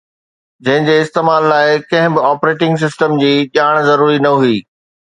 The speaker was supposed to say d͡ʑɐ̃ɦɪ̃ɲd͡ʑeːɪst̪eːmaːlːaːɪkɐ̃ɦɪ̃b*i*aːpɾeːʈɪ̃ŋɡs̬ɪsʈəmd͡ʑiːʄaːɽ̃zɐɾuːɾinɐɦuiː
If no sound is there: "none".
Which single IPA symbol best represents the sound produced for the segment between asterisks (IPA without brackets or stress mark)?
ɪ